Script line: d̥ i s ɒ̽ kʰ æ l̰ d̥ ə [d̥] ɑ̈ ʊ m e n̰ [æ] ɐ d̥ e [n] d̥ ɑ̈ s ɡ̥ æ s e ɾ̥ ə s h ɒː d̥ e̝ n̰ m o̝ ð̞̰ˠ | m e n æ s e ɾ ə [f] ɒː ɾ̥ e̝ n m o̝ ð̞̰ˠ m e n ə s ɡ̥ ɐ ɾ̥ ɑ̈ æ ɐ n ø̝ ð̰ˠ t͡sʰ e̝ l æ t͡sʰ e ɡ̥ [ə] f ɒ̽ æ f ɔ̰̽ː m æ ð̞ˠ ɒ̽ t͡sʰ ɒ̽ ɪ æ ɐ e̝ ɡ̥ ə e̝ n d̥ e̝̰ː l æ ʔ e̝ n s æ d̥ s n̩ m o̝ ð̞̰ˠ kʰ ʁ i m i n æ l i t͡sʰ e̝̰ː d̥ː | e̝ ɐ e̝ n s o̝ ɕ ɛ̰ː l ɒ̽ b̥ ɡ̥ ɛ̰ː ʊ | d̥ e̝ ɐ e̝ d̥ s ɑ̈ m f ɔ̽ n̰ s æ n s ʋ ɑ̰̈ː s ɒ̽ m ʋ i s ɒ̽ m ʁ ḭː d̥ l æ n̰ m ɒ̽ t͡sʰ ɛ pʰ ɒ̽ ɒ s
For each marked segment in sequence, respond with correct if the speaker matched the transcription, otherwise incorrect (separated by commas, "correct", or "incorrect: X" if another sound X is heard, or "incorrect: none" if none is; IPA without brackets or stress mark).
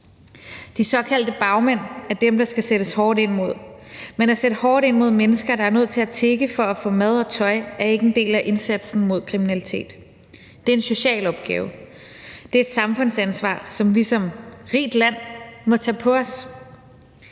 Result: incorrect: b̥, correct, incorrect: m, incorrect: h, correct